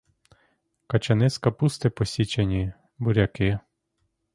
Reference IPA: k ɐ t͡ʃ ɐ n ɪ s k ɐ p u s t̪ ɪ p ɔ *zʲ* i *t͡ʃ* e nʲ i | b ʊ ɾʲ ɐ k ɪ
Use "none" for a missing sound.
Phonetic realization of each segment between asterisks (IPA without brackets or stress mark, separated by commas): sʲ, t͡ʃ